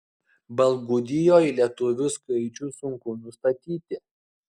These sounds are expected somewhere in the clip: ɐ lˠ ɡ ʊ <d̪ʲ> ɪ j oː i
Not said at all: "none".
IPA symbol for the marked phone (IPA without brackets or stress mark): d̪ʲ